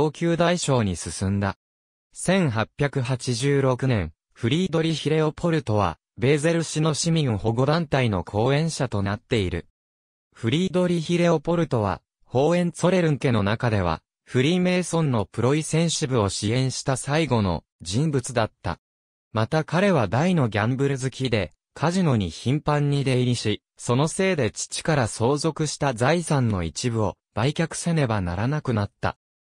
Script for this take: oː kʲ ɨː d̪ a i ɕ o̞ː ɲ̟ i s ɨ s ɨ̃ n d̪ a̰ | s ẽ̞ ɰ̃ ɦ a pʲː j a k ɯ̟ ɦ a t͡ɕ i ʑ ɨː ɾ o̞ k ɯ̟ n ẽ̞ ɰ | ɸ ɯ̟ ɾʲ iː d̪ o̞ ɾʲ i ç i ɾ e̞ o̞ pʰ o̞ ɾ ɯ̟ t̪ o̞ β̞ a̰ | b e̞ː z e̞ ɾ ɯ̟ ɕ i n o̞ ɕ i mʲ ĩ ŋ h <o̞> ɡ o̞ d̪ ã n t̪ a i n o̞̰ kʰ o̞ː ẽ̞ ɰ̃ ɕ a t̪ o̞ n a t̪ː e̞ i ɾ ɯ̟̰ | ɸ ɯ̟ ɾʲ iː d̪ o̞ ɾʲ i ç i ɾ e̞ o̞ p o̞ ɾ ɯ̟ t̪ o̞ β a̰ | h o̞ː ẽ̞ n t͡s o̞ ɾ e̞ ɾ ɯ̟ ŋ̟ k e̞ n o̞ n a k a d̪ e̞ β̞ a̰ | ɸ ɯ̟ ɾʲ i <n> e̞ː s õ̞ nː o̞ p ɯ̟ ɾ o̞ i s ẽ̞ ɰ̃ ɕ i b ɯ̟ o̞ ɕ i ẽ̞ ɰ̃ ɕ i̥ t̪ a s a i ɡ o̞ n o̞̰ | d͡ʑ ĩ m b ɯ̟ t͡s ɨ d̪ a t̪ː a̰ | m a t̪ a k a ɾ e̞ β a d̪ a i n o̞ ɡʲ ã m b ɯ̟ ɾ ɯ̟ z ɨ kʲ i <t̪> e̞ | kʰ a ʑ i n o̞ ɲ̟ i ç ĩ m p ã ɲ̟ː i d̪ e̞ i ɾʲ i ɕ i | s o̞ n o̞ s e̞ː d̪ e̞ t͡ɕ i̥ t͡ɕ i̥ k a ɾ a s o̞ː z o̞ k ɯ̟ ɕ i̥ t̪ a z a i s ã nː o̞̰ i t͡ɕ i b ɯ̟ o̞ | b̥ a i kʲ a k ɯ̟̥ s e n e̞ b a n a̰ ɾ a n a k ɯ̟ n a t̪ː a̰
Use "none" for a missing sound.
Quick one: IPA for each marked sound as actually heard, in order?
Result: o̞, m, d̪

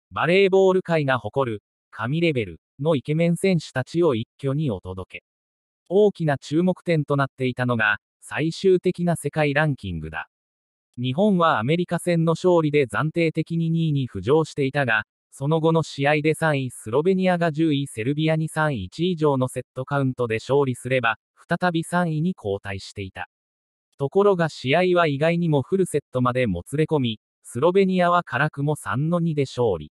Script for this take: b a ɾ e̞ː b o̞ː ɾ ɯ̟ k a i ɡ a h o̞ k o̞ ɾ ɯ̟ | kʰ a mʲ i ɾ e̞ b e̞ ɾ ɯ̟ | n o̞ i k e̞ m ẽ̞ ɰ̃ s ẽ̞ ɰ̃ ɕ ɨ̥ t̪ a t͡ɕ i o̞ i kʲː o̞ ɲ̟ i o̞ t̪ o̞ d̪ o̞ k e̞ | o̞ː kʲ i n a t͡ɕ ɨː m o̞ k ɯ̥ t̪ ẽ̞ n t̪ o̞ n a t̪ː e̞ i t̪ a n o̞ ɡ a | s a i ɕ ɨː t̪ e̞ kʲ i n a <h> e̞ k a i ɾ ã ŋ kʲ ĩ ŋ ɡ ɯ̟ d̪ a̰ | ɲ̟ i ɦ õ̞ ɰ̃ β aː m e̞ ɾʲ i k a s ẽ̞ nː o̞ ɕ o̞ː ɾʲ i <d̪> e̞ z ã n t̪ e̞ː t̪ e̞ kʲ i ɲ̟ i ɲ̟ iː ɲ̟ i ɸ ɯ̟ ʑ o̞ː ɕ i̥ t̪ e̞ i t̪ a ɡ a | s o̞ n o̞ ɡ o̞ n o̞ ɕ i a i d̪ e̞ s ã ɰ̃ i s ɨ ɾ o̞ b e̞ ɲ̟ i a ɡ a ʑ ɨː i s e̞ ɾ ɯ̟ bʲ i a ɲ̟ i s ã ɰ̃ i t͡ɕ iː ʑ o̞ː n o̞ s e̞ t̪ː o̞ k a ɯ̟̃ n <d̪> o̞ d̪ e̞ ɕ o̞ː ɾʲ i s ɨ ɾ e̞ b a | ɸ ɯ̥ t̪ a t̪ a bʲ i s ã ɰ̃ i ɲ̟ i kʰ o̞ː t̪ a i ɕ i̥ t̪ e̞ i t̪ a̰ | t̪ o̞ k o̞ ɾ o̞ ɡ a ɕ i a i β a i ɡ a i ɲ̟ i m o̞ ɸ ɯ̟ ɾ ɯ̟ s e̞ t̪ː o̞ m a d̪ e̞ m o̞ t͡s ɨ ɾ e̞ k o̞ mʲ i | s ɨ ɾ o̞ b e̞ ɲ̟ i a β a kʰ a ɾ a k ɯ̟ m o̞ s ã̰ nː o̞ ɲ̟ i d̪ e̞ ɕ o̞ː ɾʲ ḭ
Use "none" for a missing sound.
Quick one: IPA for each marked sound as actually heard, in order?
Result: s, d̪, t̪

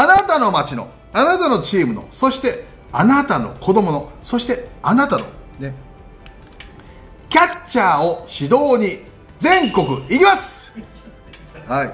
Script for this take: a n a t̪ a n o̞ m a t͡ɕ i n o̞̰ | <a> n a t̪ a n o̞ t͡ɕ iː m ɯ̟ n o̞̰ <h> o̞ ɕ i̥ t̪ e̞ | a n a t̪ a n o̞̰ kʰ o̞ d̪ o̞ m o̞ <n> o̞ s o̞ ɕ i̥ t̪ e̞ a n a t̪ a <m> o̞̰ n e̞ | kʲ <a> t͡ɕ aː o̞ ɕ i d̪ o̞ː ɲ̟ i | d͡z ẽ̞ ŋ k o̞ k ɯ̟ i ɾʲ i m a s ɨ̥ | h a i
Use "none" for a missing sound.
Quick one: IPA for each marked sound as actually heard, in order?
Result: a, s, n, n, a

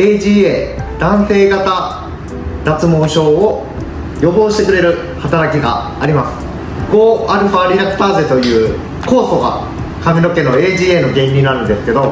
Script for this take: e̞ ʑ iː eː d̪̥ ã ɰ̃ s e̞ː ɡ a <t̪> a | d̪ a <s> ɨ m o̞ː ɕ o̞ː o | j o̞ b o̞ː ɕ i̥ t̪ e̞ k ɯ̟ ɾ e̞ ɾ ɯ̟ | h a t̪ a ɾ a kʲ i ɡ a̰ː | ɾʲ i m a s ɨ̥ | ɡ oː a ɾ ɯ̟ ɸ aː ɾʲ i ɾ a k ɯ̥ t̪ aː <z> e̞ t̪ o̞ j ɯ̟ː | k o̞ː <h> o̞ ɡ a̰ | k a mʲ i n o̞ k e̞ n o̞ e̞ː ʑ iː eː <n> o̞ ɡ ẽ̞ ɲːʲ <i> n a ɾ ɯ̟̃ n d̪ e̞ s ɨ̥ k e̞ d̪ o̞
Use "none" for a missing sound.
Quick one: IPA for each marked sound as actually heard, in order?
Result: t̪, t͡s, z, s, n, i

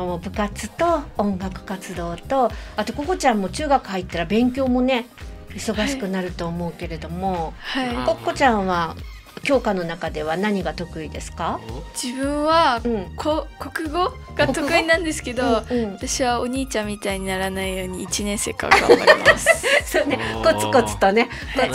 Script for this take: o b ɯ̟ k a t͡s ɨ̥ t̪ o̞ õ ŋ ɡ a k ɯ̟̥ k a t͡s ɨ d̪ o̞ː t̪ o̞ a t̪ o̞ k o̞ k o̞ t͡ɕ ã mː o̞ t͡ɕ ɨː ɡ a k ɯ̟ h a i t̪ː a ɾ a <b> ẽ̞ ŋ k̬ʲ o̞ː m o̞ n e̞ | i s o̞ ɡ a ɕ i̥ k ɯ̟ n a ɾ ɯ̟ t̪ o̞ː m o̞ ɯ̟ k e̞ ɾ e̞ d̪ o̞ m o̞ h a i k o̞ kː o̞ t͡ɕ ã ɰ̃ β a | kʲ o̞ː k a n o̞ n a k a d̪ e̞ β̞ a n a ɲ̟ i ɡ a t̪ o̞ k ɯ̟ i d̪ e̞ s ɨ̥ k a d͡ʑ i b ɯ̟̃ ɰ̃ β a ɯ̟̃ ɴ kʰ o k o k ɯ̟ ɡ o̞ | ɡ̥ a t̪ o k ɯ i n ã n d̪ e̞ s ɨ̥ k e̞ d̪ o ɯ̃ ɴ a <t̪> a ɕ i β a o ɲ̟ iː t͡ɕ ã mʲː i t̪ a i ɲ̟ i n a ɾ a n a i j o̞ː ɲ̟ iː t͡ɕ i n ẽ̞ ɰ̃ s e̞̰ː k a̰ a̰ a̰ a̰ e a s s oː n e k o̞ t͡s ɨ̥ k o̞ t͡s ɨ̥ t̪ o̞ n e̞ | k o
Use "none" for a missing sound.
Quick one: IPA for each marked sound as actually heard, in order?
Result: b, t̪

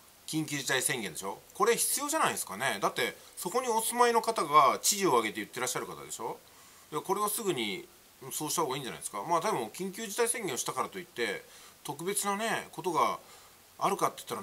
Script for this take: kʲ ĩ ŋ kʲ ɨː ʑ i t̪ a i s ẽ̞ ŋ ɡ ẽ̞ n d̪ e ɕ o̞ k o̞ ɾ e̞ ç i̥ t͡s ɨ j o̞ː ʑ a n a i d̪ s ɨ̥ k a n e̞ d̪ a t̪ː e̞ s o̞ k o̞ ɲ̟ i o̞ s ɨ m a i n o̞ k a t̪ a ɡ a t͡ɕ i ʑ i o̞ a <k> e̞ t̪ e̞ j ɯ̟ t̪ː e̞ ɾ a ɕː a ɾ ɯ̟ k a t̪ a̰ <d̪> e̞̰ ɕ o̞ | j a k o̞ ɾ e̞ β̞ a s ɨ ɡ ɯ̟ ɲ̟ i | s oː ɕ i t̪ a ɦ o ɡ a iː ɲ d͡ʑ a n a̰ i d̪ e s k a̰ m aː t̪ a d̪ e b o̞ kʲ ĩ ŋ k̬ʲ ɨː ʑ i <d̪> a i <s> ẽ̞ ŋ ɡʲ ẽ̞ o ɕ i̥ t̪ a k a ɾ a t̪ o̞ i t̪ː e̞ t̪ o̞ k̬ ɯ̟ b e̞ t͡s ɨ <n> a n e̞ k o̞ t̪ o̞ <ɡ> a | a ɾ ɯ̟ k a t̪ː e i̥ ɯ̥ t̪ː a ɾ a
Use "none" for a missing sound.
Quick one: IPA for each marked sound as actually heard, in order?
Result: ɡ, d̪, t̪, s, n, ɡ

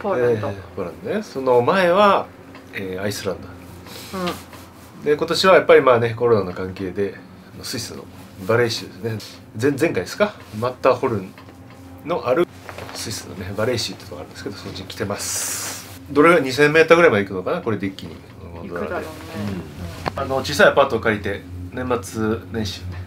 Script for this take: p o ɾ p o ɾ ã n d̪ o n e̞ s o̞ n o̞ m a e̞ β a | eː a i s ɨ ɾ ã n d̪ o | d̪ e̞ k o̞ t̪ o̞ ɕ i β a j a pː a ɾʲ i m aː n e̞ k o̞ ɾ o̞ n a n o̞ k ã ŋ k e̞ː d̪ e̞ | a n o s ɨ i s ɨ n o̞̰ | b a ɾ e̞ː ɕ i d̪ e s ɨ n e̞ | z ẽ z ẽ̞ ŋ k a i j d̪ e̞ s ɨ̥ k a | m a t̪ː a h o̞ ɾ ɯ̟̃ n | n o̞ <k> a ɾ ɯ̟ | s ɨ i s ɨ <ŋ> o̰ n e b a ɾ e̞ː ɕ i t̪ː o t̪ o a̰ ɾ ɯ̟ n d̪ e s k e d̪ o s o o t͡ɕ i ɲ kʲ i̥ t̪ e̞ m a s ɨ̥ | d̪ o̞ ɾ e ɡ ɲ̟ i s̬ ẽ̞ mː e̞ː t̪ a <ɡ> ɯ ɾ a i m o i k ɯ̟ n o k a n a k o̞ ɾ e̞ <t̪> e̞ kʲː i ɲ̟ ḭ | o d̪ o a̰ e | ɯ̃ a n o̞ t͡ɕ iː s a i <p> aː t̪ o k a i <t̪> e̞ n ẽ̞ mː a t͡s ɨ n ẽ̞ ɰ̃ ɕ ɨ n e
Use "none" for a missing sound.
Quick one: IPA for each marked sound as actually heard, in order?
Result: ʔ, n, ɡ, d̪, p, t̪

